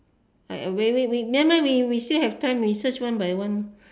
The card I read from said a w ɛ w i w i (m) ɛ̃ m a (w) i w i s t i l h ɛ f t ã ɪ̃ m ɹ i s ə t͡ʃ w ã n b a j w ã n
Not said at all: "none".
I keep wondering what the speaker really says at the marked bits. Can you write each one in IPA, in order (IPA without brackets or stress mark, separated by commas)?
m, w